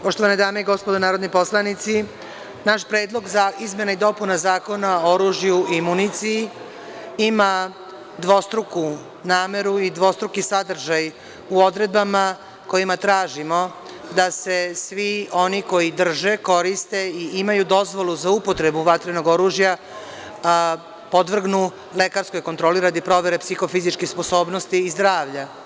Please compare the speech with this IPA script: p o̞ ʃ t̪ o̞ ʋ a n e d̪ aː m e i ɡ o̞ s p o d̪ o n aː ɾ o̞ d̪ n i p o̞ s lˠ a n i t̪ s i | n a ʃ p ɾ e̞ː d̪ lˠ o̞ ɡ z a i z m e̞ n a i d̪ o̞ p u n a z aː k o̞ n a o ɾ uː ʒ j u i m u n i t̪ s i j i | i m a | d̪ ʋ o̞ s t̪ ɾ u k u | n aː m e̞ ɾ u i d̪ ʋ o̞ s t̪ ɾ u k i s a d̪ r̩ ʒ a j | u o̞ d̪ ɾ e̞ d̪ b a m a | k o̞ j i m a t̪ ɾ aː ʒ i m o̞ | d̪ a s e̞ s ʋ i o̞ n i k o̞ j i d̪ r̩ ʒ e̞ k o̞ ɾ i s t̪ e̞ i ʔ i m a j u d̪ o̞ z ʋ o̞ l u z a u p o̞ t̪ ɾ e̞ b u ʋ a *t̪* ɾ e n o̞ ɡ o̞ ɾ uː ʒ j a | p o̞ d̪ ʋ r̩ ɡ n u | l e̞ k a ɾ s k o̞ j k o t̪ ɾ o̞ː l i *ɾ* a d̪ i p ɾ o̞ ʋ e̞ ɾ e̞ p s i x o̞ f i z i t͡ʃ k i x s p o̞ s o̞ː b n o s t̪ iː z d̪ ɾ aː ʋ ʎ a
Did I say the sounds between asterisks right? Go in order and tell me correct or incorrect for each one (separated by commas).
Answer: correct, correct